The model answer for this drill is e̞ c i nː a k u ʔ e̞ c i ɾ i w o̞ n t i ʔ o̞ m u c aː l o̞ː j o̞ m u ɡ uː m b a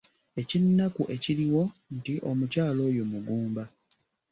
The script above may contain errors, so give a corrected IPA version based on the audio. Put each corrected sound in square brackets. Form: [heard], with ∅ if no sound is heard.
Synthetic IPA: e̞ c i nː a k u ʔ e̞ c i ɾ i w o̞ n t i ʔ o̞ m u c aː l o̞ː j o̞ m u ɡ uː m b a

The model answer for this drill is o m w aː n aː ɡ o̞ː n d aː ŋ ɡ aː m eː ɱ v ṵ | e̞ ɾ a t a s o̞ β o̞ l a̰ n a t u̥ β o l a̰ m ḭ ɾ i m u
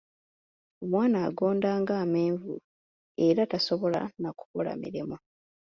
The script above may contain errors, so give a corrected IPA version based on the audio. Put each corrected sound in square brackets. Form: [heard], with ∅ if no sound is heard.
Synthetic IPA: o m w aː n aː ɡ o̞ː n d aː ŋ ɡ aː m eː ɱ v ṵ | e̞ ɾ a t a s o̞ β o̞ l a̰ n a [k] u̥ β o l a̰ m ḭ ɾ i m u

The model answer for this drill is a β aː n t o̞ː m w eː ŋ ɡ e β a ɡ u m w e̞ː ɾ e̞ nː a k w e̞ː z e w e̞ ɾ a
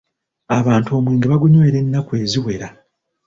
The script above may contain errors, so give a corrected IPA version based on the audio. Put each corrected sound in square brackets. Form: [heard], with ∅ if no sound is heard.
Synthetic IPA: a β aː n t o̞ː m w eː ŋ ɡ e β a ɡ u [ɲ] w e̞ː ɾ e̞ nː a k w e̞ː z [i] w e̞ ɾ a

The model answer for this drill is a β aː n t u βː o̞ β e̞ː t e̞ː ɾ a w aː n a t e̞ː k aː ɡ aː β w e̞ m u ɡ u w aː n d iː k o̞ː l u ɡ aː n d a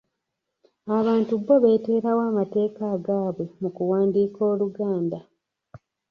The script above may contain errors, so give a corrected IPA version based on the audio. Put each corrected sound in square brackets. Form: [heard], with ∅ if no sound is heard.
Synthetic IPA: a β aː n t u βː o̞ β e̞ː t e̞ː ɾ a w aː [m] a t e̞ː k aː ɡ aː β w e̞ m u [k] u w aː n d iː k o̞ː l u ɡ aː n d a

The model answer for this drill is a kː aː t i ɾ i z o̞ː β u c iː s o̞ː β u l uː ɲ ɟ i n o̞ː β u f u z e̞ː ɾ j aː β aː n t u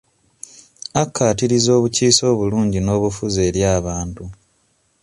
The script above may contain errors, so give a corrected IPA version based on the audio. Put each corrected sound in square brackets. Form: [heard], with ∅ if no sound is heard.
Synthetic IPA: a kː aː t i ɾ i z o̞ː β u c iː s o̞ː β u l uː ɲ ɟ i n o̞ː β u f u z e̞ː ɾ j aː β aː n t u

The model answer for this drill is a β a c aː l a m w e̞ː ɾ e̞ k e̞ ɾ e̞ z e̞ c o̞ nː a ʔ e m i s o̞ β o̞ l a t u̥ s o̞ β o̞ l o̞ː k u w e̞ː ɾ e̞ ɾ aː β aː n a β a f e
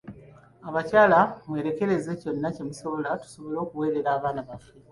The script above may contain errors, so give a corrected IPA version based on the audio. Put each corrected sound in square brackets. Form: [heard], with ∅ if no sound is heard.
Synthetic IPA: a β a c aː l a m w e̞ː ɾ e̞ k e̞ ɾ e̞ z e̞ c o̞ nː a [c] e m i s o̞ β o̞ l a t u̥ s o̞ β o̞ l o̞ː k u w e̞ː ɾ e̞ ɾ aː β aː n a β a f e

